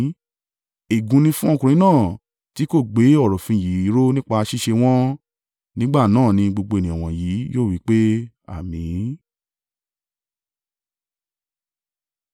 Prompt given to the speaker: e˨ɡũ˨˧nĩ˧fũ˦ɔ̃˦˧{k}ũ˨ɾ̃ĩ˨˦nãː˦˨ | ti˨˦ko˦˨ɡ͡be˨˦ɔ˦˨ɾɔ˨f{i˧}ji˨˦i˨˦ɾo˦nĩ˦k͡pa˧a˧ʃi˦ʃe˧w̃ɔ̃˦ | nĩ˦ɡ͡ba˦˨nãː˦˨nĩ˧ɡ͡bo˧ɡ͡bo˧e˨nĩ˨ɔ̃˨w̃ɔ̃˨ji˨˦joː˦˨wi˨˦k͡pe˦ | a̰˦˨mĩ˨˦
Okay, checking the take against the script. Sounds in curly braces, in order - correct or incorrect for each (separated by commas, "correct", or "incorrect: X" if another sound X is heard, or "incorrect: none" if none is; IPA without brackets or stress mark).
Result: correct, incorrect: ĩ˧